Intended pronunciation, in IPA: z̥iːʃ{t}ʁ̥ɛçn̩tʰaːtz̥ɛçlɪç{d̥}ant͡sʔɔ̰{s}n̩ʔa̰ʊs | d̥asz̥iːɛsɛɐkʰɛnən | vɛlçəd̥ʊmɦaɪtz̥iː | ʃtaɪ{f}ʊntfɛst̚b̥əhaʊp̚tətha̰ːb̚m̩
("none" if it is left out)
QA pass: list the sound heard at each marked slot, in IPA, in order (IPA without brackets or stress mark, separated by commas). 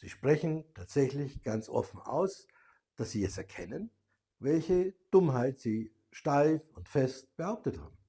p, ɡ̥, f, f